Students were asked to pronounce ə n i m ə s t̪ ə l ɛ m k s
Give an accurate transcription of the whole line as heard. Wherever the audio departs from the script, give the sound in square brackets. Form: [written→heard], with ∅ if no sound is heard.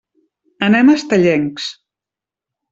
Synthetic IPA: ə n [i→ɛ] m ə s t̪ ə [l→ʎ] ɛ [m→ŋ] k s